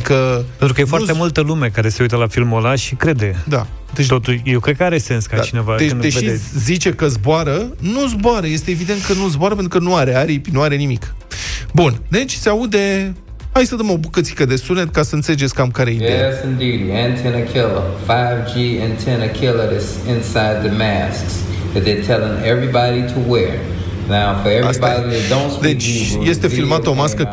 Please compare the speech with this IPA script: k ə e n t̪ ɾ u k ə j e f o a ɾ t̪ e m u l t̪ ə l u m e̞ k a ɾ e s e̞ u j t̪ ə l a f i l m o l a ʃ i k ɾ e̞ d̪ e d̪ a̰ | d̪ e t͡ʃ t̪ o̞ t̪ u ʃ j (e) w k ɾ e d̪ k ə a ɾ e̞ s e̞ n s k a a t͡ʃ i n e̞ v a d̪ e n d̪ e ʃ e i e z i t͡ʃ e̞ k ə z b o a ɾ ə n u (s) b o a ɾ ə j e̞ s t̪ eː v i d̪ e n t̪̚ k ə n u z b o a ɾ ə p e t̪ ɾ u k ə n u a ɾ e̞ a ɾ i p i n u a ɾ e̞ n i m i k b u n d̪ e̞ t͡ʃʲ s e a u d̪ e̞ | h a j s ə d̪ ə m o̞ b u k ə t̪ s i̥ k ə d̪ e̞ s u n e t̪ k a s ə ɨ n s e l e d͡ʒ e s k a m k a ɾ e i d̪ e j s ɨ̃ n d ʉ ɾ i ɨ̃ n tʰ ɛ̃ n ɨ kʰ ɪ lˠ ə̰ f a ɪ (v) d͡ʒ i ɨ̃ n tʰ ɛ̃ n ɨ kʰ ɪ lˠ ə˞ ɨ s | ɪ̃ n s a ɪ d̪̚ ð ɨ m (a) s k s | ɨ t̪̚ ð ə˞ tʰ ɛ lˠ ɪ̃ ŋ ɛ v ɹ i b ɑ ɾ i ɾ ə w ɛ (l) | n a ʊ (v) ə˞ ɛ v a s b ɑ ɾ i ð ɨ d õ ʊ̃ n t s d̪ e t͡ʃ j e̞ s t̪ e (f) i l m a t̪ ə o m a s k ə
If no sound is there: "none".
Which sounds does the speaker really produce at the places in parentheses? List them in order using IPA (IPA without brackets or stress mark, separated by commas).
e, z, v, æ, ɹ, f, f